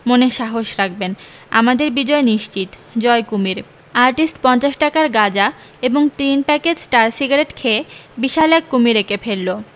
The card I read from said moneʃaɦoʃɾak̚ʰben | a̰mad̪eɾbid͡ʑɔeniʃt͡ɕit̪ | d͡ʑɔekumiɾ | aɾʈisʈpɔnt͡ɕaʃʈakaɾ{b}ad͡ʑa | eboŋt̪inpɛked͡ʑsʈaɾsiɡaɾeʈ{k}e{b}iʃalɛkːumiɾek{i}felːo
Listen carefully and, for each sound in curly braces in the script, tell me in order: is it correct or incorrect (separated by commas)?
incorrect, incorrect, correct, incorrect